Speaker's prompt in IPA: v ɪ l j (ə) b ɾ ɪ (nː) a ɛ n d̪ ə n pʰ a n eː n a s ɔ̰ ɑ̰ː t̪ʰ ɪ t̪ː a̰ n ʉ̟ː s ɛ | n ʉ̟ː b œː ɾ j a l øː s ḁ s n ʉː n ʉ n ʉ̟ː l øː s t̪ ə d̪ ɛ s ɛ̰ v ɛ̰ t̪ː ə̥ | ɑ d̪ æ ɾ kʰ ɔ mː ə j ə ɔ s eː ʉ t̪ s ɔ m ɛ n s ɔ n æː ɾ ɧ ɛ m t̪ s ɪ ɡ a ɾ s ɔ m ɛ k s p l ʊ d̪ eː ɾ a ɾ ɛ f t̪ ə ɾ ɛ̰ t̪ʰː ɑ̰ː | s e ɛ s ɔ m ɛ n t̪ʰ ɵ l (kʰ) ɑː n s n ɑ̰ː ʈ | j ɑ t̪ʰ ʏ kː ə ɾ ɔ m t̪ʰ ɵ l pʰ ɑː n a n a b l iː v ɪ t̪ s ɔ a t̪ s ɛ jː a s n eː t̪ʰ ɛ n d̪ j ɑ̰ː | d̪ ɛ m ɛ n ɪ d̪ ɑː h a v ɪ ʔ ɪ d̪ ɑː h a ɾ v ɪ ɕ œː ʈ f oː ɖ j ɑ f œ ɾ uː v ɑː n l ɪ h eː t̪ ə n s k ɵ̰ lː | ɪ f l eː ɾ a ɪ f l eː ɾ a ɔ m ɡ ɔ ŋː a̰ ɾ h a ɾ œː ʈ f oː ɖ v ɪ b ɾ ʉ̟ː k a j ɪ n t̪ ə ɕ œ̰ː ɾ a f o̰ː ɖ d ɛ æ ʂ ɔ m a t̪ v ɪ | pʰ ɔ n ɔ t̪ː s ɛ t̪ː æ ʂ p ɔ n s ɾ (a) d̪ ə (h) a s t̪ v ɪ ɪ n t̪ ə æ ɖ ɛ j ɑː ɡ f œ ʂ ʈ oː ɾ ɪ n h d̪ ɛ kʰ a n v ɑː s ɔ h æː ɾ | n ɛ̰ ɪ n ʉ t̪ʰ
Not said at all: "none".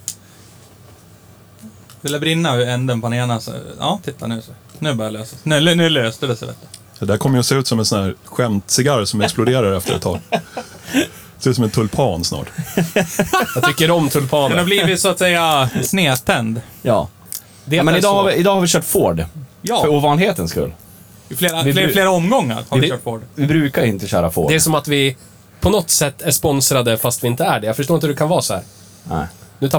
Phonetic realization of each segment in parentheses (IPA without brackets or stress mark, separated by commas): a, nː, pʰ, a, f